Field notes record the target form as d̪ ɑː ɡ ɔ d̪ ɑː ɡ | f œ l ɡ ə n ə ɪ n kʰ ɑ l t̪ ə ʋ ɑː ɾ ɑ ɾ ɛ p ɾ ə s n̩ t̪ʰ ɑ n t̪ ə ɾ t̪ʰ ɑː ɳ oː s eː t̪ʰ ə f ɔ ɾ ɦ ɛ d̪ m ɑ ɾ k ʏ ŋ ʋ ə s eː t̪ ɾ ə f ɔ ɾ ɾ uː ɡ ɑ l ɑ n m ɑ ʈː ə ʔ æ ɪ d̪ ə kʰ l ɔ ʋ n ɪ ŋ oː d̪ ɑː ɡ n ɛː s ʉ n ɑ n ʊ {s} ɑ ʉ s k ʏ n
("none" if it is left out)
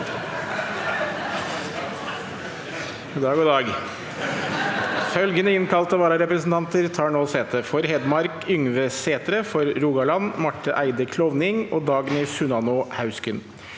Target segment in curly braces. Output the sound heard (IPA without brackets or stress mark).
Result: h